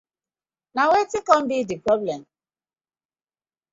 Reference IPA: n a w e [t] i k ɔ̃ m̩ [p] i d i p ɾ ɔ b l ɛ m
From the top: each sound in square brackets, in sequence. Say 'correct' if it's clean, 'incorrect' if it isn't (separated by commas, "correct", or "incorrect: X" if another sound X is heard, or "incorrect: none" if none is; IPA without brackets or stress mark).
correct, incorrect: b